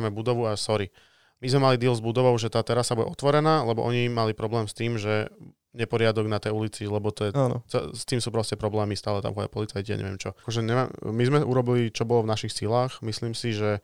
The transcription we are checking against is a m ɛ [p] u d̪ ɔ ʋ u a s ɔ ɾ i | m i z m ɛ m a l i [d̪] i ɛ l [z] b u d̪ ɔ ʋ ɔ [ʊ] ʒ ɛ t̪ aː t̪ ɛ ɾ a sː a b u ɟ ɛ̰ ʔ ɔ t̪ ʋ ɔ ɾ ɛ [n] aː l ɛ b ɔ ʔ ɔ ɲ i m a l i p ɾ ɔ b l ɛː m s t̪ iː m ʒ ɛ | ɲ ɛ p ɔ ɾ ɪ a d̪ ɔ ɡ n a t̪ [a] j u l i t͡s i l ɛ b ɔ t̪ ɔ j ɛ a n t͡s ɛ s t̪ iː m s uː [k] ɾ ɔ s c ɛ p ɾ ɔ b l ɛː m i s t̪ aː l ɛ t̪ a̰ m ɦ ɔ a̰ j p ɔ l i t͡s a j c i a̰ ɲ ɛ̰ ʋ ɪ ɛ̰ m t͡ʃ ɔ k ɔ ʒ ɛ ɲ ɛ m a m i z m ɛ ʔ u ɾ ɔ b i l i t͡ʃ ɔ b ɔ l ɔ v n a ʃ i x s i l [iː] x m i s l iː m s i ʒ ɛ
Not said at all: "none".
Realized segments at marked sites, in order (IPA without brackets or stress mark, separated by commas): b, d̪, z, ʊ, n, ɛ, p, aː